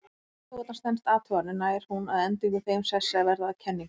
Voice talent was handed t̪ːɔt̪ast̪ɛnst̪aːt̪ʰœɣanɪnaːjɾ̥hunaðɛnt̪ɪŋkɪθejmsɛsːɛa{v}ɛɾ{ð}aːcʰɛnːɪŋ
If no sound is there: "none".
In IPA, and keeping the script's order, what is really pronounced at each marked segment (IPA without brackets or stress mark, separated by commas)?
v, ð